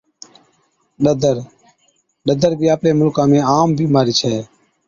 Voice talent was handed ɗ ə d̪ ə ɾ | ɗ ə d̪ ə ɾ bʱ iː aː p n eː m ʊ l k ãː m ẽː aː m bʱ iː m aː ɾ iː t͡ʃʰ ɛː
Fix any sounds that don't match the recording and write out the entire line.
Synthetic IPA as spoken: ɗ ə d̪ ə ɾ | ɗ ə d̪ ə ɾ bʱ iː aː p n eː m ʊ l k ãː m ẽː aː m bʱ iː m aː ɾ iː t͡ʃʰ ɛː